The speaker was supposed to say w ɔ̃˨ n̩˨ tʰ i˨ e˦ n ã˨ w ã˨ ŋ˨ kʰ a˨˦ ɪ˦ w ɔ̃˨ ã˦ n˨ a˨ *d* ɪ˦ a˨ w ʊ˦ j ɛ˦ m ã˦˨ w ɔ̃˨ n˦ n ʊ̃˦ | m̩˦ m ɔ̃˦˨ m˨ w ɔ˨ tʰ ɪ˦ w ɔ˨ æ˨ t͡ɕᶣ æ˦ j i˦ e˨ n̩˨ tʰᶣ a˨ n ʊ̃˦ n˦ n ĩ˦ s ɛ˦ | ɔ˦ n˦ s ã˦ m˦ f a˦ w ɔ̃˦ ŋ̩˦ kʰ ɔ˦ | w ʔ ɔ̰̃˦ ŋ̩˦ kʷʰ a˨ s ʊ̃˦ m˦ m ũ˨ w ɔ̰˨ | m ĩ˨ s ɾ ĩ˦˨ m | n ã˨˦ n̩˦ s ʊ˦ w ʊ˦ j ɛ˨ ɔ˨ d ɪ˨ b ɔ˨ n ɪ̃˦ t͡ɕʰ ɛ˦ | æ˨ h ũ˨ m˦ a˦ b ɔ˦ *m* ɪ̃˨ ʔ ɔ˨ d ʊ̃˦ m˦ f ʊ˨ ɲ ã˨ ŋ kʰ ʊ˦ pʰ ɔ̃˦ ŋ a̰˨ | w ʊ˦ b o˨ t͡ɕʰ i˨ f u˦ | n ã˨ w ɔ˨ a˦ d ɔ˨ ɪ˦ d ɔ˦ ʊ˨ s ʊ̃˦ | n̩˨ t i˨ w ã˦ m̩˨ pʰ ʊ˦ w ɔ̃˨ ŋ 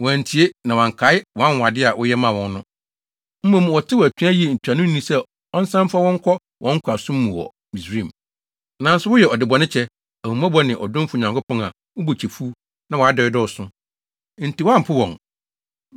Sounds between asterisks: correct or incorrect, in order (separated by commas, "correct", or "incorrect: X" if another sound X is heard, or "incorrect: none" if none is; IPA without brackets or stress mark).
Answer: correct, incorrect: n